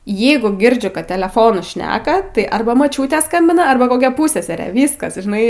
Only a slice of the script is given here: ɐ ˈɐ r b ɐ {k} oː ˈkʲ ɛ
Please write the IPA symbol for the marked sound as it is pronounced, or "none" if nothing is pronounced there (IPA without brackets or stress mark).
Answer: k